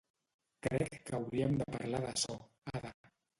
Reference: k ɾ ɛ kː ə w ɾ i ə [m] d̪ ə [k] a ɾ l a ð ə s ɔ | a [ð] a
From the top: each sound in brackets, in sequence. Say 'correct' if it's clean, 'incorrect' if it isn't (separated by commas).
correct, incorrect, correct